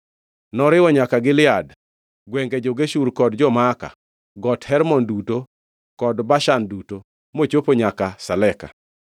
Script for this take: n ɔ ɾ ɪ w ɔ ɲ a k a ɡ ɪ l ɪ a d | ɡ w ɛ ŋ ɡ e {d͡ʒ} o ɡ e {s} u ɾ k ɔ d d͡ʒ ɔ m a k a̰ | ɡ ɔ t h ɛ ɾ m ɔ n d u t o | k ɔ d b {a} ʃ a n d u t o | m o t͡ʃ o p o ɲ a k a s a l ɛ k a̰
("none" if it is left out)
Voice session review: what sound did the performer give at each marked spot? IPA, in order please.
d͡ʒ, ʃ, a

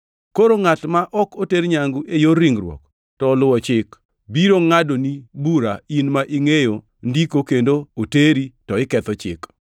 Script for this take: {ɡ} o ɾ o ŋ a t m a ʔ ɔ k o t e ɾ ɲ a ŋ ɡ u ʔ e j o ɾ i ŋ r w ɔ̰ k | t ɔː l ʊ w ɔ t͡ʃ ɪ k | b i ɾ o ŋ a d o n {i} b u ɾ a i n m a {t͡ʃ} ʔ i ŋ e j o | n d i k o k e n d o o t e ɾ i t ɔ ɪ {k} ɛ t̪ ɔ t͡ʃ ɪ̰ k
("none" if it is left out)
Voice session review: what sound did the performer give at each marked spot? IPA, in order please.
k, i, none, k

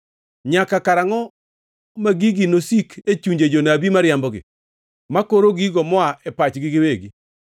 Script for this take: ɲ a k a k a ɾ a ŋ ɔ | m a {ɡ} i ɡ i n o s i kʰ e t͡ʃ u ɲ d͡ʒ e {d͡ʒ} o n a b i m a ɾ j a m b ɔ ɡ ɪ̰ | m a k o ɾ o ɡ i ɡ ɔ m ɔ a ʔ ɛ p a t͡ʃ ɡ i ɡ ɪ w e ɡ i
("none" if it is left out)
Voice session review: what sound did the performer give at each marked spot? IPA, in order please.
ɡ, d͡ʒ

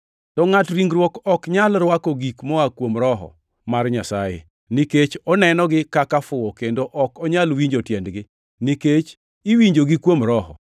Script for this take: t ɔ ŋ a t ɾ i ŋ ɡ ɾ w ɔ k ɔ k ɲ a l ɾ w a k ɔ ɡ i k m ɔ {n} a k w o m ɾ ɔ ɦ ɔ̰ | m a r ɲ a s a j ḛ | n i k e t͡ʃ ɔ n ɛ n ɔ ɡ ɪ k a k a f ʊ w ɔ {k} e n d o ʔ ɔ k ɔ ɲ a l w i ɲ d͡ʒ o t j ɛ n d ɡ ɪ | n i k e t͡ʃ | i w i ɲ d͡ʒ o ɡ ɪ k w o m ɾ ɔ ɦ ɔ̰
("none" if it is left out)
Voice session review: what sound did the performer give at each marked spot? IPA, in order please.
none, k

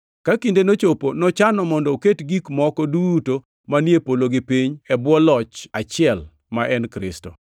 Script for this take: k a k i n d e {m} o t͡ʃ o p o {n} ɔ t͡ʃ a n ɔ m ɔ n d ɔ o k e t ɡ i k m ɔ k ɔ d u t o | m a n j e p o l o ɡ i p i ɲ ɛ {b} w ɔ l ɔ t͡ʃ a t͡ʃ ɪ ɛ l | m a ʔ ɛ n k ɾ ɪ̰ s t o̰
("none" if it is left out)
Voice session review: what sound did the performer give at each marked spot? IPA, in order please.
n, n, b

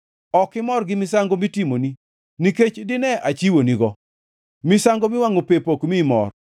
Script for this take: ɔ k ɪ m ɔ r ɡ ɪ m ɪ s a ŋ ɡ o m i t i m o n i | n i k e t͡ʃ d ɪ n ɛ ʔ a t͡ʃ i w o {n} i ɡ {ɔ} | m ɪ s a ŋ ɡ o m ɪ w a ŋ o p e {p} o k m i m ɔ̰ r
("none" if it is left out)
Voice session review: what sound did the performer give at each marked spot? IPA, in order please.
n, ɔ, p

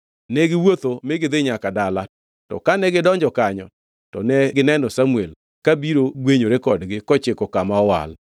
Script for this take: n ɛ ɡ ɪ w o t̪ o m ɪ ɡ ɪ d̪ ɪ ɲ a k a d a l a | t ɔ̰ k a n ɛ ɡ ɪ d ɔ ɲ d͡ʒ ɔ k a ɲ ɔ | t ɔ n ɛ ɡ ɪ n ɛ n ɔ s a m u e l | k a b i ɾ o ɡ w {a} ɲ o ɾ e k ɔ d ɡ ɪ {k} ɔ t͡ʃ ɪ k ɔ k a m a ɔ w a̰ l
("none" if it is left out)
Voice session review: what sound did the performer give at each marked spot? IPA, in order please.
e, k

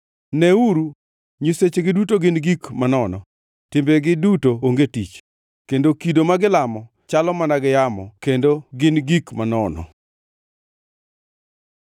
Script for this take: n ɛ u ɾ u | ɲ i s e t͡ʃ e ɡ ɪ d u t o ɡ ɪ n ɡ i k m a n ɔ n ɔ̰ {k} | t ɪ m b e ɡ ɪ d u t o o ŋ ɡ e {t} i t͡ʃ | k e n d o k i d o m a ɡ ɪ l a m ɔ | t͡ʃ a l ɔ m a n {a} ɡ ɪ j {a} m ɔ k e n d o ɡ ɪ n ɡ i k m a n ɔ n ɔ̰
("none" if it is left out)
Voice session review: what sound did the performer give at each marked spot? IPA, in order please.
none, t, a, a

